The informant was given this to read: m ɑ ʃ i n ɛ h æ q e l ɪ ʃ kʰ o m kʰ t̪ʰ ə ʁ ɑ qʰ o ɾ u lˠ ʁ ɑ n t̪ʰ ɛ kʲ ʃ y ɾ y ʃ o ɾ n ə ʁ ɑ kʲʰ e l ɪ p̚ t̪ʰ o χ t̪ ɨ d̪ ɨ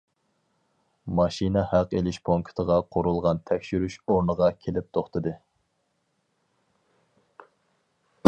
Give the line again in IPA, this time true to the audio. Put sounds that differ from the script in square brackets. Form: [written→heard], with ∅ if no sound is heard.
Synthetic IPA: m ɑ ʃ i n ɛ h æ q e l ɪ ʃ [kʰ→pʰ] o [m→ŋ] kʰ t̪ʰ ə ʁ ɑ qʰ o ɾ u lˠ ʁ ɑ n t̪ʰ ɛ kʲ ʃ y ɾ y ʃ o ɾ n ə ʁ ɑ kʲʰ e l ɪ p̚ t̪ʰ o χ t̪ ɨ d̪ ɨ

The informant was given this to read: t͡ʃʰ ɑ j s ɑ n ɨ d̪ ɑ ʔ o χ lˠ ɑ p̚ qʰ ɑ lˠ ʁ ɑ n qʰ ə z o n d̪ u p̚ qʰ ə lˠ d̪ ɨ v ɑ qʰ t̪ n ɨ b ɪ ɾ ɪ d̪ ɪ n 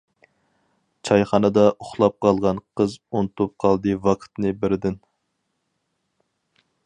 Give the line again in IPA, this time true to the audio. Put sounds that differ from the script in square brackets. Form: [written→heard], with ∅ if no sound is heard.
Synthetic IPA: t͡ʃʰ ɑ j [s→χ] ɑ n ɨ d̪ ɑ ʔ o χ lˠ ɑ p̚ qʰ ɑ lˠ ʁ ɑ n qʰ ə z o n [d̪→t̪] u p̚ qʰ [ə→ɑ] lˠ d̪ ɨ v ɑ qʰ t̪ n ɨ b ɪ ɾ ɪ d̪ ɪ n

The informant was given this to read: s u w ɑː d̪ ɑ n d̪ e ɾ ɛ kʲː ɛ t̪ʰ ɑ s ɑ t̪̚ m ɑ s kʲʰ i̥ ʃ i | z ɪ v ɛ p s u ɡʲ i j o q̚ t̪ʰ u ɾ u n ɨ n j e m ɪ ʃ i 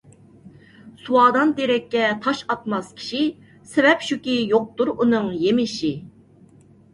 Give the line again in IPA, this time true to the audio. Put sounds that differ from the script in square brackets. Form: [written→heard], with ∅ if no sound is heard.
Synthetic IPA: s u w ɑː d̪ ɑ n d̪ e ɾ ɛ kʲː ɛ t̪ʰ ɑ [s→ʃ] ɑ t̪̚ m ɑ s kʲʰ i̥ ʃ i | [z→s] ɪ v ɛ p [s→ʃ] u [ɡʲ→kʲ] i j o q̚ [t̪ʰ→t̪] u ɾ u n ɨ [n→ŋ] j e m ɪ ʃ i

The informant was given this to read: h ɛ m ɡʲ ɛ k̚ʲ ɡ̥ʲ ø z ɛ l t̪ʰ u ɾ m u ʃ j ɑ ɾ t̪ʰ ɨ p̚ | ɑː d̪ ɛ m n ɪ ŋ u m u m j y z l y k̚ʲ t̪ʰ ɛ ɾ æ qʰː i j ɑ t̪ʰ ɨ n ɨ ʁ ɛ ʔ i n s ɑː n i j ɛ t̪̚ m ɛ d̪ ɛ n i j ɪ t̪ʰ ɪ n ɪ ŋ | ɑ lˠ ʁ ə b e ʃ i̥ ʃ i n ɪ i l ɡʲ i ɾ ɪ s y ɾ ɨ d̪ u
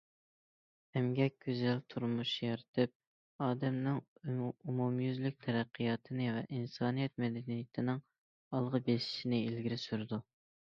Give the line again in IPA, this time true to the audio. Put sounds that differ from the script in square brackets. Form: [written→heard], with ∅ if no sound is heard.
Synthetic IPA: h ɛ m ɡʲ ɛ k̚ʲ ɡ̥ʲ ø z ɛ l t̪ʰ u ɾ m u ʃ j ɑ ɾ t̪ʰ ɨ p̚ | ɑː d̪ ɛ m n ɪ ŋ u m u m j y z l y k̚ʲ t̪ʰ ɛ ɾ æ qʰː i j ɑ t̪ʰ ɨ n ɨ [ʁ→v] ɛ ʔ i n s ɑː n i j ɛ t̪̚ m ɛ d̪ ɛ n i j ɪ t̪ʰ ɪ n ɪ ŋ | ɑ lˠ ʁ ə b e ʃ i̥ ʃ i n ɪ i l ɡʲ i ɾ ɪ s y ɾ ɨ d̪ u

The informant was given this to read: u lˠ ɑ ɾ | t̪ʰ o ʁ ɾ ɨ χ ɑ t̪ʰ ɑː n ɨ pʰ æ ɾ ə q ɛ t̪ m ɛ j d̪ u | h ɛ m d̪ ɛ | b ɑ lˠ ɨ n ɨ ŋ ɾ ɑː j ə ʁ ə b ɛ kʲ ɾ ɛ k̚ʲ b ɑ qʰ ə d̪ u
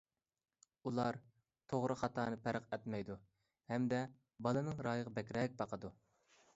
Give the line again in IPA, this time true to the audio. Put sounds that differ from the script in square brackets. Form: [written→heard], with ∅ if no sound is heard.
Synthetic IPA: u lˠ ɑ ɾ | t̪ʰ o ʁ ɾ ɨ χ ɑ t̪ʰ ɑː n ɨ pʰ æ ɾ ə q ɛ t̪ m ɛ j d̪ u | h ɛ m d̪ ɛ | b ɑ lˠ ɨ n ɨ ŋ ɾ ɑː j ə ʁ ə b ɛ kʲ ɾ ɛ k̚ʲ b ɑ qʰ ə d̪ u

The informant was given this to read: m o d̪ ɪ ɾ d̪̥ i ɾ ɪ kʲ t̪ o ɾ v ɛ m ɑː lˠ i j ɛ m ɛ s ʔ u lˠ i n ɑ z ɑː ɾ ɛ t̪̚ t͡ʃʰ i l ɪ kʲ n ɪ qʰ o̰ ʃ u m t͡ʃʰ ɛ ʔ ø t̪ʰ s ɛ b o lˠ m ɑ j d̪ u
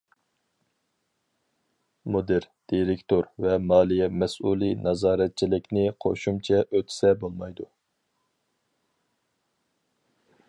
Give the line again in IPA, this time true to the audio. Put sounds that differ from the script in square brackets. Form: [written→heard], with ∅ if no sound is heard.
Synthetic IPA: m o d̪ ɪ ɾ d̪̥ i ɾ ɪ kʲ t̪ o ɾ v ɛ m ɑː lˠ i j ɛ m ɛ s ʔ u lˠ i n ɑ z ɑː ɾ ɛ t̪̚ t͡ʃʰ i l ɪ kʲ n ɪ qʰ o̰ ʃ u m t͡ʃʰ ɛ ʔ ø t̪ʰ s ɛ b o lˠ m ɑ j d̪ u

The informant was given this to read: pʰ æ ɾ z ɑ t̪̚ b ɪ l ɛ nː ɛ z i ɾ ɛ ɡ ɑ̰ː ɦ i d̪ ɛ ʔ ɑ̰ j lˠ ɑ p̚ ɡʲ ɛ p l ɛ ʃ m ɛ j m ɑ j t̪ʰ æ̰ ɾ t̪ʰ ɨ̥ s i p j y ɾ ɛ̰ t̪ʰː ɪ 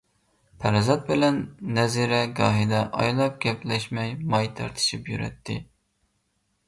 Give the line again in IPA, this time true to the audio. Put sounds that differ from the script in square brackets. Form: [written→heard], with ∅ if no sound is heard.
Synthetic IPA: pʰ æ ɾ z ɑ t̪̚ b ɪ l ɛ nː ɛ z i ɾ ɛ ɡ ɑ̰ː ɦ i d̪ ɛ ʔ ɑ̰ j lˠ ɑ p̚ ɡʲ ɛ p l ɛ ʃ m ɛ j m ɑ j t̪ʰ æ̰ ɾ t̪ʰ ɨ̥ [s→ʃ] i p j y ɾ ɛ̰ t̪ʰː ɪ

